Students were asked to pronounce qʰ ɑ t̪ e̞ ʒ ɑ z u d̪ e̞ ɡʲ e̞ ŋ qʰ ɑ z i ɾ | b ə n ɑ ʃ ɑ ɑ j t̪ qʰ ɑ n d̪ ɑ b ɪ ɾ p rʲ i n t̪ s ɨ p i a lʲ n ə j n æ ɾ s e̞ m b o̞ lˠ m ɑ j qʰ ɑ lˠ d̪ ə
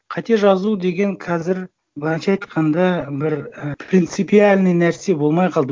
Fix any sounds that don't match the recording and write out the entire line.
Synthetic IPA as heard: qʰ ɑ t̪ e̞ ʒ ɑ z u d̪ e̞ ɡʲ e̞ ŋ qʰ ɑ z ɪ ɾ | b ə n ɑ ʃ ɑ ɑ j t̪ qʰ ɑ n d̪ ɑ b ɪ ɾ p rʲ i n t̪ s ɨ p i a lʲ n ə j n æ ɾ s e̞ b o̞ lˠ m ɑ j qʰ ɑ lˠ d̪ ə